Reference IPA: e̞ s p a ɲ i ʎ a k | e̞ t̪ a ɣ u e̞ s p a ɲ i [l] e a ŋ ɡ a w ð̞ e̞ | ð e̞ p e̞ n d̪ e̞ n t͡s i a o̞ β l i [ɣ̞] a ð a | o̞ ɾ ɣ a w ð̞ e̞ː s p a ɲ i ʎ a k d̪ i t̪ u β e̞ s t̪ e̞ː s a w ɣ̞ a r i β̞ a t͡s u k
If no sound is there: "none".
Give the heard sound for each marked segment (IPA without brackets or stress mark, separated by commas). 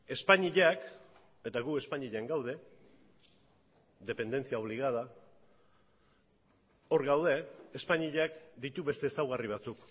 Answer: ʎ, ɣ̞